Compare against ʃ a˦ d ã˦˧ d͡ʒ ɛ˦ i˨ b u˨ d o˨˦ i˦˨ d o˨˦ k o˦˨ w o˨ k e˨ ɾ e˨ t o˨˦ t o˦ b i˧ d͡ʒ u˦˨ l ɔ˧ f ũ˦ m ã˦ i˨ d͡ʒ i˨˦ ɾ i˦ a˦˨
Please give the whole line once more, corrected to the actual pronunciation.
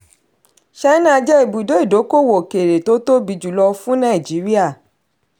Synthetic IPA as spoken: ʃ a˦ n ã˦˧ d͡ʒ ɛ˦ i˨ b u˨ d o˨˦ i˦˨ d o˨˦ k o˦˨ w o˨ k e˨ ɾ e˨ t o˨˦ t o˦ b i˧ d͡ʒ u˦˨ l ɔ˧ f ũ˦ n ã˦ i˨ d͡ʒ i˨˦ ɾ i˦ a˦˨

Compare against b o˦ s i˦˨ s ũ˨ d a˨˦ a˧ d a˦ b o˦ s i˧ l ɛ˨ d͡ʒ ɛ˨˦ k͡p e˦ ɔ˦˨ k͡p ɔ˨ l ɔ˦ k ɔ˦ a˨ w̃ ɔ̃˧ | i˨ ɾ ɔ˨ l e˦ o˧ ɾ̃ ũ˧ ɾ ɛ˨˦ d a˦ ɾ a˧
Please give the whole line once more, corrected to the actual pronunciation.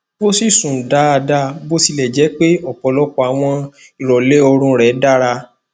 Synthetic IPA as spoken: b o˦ s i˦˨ s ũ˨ d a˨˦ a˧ d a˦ b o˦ s i˧ l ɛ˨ d͡ʒ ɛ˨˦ k͡p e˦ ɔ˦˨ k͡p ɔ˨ l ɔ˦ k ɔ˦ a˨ w̃ ɔ̃˧ | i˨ ɾ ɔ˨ l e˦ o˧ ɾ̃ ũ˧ ɾ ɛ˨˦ d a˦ ɾ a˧

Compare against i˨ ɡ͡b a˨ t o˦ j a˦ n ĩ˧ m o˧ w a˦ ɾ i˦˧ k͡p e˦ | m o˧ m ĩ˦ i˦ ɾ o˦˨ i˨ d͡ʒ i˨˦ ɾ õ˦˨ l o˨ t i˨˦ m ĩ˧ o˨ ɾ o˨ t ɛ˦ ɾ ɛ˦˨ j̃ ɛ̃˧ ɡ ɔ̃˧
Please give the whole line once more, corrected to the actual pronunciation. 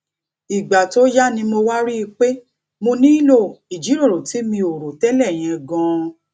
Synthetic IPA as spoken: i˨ ɡ͡b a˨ t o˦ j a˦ n ĩ˧ m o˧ w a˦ ɾ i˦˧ k͡p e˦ | m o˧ n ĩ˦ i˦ l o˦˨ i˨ d͡ʒ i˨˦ ɾ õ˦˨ ɾ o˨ t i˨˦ m ĩ˧ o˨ ɾ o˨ t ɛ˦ l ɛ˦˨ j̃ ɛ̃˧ ɡ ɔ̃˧

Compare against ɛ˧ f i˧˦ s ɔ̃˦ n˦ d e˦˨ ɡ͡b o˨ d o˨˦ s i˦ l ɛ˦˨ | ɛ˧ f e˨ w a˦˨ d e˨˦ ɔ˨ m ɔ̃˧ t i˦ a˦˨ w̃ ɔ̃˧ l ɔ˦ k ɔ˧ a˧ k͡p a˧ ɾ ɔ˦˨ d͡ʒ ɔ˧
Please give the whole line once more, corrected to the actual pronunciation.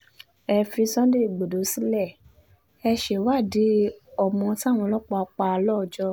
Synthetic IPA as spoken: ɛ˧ f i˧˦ s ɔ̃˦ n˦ d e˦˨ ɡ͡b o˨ d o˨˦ s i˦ l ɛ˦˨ | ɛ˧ ʃ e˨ w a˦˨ d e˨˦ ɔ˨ m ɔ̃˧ t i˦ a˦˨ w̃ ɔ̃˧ l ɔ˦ k͡p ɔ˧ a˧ k͡p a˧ l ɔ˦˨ d͡ʒ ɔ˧

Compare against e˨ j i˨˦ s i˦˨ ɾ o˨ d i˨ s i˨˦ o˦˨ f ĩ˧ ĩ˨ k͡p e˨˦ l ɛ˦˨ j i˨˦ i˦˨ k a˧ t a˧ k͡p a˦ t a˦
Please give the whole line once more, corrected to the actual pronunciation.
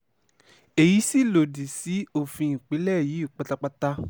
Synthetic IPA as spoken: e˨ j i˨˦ s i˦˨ l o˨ d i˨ s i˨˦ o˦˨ f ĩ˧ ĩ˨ k͡p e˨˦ l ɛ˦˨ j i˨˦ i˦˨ k͡p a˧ t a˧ k͡p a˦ t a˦

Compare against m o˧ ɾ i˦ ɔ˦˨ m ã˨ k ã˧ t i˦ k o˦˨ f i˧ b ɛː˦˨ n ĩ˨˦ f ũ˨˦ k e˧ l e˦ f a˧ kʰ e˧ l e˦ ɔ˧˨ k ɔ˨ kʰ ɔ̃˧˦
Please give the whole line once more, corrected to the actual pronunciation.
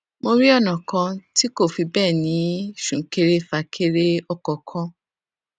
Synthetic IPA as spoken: m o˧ ɾ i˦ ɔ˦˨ n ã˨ k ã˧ t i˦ k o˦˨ f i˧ b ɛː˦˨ n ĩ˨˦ ʃ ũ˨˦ k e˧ ɾ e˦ f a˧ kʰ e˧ ɾ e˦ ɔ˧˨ k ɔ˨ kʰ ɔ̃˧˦

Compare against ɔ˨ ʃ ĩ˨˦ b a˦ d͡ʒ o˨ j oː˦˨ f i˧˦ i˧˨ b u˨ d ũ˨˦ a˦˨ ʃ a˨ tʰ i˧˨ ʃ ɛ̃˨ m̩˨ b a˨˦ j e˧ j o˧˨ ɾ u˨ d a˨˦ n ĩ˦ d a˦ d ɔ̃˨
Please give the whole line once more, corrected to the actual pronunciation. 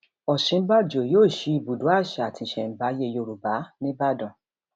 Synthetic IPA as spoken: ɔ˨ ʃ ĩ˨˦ b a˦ d͡ʒ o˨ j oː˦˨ ʃ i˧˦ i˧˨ b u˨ d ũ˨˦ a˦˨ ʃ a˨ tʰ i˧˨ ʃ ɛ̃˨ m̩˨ b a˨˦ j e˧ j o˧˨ ɾ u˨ b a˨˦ n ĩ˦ b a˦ d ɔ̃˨

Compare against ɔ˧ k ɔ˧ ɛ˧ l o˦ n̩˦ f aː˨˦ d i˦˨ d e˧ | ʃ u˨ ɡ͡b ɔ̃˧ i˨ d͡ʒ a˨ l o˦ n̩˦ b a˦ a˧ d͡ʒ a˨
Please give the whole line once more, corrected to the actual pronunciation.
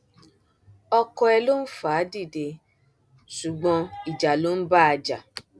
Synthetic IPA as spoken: ɔ˧ k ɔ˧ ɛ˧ l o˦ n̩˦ f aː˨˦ d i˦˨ d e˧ | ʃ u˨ ɡ͡b ɔ̃˧ i˨ d͡ʒ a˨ l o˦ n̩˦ b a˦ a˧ d͡ʒ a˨

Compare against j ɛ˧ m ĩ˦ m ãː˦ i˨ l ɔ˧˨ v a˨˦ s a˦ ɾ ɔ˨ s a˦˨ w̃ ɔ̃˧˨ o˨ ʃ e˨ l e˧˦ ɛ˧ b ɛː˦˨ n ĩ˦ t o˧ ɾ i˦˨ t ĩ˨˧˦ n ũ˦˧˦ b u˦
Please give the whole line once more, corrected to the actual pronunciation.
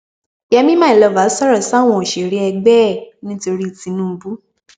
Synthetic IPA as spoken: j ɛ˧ m ĩ˦ m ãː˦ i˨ l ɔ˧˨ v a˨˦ s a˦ ɾ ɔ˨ s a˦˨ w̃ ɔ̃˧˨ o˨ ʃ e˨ ɾ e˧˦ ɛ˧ ɡ͡b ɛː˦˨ n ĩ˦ t o˧ ɾ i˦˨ t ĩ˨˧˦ n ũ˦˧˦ b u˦

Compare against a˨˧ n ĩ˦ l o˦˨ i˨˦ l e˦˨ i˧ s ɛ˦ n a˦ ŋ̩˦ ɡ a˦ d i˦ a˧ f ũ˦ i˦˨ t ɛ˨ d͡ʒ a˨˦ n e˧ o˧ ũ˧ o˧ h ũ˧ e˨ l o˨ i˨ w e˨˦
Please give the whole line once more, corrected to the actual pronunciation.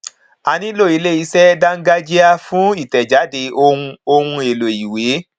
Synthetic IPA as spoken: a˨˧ n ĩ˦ l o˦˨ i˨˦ l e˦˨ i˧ s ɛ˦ d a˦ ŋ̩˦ ɡ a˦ d͡ʒ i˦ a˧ f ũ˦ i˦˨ t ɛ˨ d͡ʒ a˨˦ d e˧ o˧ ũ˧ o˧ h ũ˧ e˨ l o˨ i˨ w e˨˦

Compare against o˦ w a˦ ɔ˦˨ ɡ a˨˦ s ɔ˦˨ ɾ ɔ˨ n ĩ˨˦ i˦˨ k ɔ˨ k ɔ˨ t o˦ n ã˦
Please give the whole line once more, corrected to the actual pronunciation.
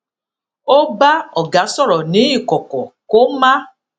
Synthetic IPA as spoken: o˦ b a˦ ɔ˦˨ ɡ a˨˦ s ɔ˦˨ ɾ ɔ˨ n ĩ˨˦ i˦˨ k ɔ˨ k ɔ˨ k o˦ m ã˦

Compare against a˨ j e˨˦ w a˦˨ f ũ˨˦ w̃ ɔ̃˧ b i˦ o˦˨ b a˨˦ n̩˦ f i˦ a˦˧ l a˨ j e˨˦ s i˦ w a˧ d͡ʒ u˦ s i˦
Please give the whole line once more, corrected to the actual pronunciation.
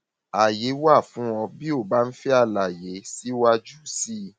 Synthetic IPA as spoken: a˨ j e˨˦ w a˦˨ f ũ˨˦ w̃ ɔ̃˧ b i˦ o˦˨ b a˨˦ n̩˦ f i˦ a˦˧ l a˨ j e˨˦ s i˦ w a˧ d͡ʒ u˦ s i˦

